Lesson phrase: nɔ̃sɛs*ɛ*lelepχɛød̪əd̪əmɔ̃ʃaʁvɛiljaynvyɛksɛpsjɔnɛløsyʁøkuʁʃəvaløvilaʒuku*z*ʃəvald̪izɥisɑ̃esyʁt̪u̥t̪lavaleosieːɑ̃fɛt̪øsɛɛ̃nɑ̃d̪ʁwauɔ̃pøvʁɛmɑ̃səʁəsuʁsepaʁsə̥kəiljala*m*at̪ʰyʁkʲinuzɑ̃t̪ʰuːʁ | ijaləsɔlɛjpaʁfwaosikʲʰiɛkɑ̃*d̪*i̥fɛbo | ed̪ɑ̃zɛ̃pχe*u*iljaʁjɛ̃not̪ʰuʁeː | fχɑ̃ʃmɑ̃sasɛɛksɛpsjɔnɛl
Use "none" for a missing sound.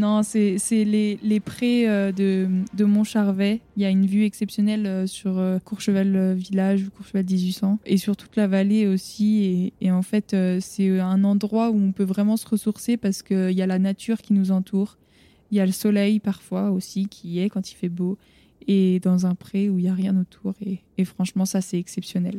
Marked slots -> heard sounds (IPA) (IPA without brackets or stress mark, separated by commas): ɛ, ʁ, n, t̪, u